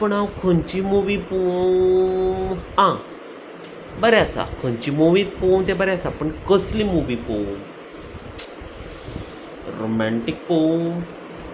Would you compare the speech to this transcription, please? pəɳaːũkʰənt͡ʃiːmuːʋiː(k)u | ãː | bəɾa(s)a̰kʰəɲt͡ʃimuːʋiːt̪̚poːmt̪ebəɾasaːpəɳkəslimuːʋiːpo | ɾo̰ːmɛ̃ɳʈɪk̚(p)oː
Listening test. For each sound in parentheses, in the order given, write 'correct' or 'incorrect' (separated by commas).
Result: incorrect, correct, correct